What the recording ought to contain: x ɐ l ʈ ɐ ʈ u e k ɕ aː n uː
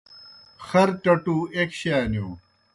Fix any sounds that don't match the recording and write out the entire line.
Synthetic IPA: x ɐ ɾ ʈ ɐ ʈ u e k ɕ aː n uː